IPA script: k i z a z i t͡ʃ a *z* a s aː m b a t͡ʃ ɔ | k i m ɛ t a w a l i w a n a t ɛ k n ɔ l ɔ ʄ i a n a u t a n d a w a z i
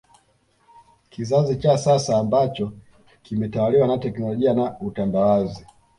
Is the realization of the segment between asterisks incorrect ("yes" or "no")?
yes